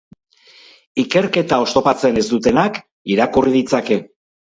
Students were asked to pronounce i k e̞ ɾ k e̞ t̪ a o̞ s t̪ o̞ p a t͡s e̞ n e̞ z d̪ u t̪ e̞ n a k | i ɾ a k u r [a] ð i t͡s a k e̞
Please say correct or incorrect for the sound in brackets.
incorrect